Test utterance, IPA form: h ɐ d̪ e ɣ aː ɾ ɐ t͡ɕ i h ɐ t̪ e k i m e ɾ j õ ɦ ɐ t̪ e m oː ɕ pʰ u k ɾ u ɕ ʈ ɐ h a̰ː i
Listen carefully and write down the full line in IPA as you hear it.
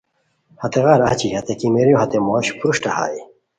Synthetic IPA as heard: h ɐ t̪ e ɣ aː ɾ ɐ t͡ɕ i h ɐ t̪ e k i m e ɾ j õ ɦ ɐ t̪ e m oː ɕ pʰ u ɾ u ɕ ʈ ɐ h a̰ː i